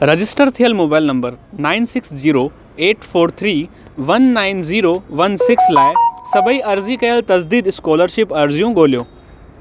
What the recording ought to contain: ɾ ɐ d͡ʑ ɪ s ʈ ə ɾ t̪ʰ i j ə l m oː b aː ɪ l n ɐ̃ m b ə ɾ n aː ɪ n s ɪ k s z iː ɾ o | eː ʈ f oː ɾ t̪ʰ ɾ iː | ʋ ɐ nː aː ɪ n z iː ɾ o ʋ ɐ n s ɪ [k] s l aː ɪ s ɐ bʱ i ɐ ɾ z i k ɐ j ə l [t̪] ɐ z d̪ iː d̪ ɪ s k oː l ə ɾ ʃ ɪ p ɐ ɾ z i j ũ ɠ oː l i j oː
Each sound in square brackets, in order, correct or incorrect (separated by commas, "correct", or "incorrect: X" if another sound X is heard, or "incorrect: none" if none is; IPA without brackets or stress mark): correct, correct